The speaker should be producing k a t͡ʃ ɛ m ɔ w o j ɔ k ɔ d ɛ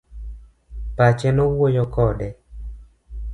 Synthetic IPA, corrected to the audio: p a t͡ʃ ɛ n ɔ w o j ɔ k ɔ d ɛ